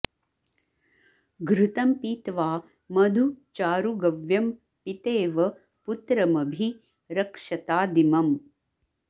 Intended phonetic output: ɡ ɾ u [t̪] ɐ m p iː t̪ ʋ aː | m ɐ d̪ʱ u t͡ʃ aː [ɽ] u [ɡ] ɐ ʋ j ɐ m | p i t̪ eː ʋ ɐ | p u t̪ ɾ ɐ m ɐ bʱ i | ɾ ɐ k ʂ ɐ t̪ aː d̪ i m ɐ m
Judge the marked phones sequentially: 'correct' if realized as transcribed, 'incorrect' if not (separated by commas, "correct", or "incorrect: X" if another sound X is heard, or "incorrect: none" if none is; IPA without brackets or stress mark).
correct, incorrect: ɾ, correct